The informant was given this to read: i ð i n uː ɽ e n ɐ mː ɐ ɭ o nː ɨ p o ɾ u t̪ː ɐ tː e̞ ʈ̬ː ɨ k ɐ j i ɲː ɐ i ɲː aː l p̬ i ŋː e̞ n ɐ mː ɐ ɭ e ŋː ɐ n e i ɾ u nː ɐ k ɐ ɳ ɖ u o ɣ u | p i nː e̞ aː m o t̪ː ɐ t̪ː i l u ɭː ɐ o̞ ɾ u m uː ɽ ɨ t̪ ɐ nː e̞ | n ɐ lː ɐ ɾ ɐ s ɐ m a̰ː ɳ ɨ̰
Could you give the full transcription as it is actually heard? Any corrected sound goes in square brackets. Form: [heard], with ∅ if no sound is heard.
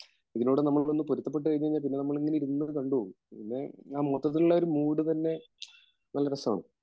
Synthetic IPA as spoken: i ð i n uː ɽ e n ɐ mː ɐ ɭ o nː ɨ p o ɾ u t̪ː ɐ [pː] e̞ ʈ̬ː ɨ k ɐ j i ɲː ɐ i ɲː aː l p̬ i [nː] e̞ n ɐ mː ɐ ɭ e ŋː ɐ n e i ɾ u nː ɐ k ɐ ɳ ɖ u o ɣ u | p i nː e̞ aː m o t̪ː ɐ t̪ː i l u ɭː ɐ o̞ ɾ u m uː ɽ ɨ t̪ ɐ nː e̞ | n ɐ lː ɐ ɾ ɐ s ɐ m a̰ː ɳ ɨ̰